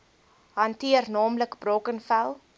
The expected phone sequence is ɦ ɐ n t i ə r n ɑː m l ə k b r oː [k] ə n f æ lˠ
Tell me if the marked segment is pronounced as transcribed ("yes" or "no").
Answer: yes